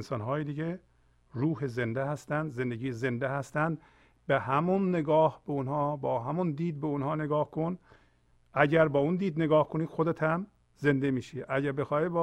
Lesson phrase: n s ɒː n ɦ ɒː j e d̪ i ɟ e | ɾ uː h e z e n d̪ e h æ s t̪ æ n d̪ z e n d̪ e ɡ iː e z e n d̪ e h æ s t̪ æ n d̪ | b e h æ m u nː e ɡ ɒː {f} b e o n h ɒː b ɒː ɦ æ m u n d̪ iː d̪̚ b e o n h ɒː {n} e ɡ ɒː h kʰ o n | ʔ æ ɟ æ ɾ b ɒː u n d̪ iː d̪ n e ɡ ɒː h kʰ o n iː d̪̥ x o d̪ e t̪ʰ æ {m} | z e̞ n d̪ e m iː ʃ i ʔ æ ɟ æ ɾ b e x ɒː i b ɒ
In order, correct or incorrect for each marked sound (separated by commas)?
incorrect, correct, correct